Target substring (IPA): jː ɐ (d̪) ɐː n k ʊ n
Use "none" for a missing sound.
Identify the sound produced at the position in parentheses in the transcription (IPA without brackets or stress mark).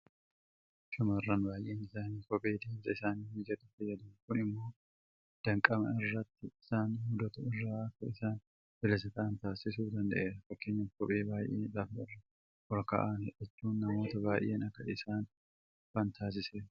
d̪